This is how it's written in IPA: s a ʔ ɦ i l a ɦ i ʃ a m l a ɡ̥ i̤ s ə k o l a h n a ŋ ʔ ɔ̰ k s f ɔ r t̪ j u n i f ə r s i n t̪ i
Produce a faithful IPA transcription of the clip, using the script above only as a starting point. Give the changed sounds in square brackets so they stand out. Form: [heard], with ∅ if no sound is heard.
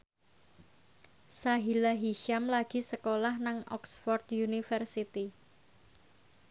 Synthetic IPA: s a [∅] ɦ i l a ɦ i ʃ a m l a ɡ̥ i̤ s ə k o l a h n a ŋ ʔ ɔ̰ k s f ɔ r t̪ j u n i f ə r s i [∅] t̪ i